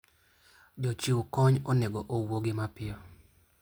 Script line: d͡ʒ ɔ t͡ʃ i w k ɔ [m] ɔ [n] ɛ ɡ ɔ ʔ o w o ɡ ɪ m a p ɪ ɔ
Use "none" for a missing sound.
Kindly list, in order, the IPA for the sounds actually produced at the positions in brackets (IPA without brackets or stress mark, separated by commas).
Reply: ɲ, n